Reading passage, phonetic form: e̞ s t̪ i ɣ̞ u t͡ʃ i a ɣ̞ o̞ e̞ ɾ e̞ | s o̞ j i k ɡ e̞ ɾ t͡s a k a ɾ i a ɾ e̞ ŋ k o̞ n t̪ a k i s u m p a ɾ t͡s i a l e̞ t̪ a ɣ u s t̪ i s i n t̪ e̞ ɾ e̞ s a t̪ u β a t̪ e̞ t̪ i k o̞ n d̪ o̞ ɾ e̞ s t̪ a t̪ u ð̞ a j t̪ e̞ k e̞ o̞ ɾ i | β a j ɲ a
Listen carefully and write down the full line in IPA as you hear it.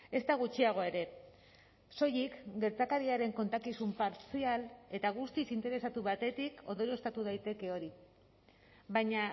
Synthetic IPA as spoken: e̞ s t̪ a ɣ̞ u t͡ʃ i a ɣ̞ o̞ e̞ ɾ e̞ | s o̞ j i k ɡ e̞ ɾ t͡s a k a ɾ i a ɾ e̞ ŋ k o̞ n t̪ a k i s u m p a ɾ t͡s i a l e̞ t̪ a ɣ u s t̪ i s i n t̪ e̞ ɾ e̞ s a t̪ u β a t̪ e̞ t̪ i k o̞ n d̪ o̞ ɾ e̞ s t̪ a t̪ u ð̞ a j t̪ e̞ k e̞ o̞ ɾ i | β a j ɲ a